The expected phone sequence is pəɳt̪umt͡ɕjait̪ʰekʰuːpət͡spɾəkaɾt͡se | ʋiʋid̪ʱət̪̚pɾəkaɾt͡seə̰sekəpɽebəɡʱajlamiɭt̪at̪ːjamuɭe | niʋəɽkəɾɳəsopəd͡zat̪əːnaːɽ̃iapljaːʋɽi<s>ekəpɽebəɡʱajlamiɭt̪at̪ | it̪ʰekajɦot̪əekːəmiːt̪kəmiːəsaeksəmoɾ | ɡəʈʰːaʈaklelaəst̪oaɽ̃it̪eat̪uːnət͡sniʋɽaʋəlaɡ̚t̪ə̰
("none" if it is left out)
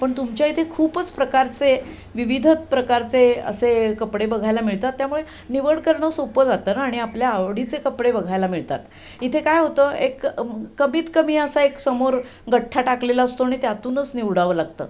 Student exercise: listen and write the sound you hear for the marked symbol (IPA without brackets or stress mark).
t͡s